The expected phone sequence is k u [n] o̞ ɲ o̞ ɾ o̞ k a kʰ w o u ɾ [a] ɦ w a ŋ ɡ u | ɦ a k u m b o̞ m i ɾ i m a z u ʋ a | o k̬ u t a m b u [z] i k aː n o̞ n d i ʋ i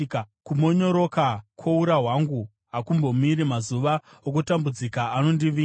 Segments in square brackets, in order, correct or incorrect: incorrect, correct, incorrect

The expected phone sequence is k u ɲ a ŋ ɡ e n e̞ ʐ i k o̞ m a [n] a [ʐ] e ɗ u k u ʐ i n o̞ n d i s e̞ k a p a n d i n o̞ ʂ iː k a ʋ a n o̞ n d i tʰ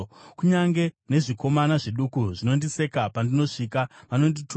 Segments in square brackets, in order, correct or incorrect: correct, correct

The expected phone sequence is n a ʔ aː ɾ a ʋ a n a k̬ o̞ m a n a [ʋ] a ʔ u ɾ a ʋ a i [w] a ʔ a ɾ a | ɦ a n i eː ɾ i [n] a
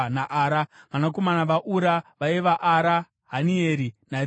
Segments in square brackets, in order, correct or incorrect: correct, incorrect, correct

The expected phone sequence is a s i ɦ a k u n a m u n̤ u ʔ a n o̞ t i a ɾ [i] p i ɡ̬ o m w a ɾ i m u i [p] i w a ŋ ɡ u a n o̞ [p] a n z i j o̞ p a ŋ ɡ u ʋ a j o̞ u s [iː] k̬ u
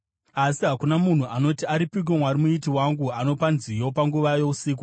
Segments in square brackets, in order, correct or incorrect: correct, incorrect, correct, correct

